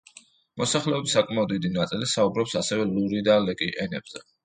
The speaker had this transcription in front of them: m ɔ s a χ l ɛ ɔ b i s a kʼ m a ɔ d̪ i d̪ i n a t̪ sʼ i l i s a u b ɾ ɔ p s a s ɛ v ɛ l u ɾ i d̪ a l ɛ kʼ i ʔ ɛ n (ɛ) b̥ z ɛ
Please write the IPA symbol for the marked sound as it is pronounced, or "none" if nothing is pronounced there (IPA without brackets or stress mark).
ɛ